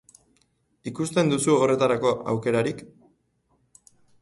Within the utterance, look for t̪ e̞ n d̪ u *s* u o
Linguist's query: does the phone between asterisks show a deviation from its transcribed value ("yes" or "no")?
no